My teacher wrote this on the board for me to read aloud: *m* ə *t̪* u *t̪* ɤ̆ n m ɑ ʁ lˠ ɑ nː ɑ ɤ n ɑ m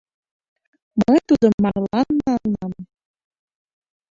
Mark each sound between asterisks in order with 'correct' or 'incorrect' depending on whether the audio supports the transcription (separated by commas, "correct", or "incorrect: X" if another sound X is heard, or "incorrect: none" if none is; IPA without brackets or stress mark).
correct, correct, incorrect: d̪